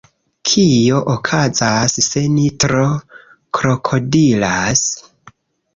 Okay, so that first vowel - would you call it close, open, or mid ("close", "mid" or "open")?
close